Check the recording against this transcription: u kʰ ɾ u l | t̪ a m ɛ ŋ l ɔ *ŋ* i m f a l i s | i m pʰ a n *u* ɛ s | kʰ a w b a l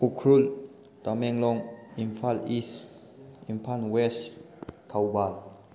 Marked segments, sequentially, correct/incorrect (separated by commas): correct, incorrect